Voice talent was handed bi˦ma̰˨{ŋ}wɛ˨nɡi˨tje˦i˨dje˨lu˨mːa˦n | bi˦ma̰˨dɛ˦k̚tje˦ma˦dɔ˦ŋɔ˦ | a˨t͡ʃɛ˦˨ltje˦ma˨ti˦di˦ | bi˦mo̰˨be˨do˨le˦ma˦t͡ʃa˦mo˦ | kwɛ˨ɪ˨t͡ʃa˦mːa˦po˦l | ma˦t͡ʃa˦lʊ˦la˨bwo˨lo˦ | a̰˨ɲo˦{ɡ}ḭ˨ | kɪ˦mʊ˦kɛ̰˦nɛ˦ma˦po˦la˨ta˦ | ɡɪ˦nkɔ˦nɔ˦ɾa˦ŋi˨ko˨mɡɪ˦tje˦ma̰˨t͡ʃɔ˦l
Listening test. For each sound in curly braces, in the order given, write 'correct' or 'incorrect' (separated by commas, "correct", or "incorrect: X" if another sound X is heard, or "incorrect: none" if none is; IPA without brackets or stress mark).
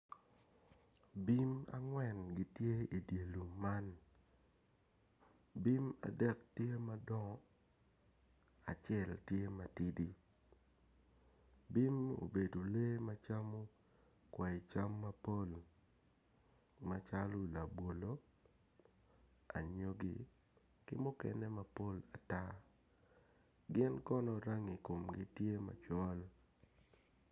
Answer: correct, correct